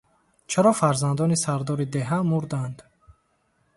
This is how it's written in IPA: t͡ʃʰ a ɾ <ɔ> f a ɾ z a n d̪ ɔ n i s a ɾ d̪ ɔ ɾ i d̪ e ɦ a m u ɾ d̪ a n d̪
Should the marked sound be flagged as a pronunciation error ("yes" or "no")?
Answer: no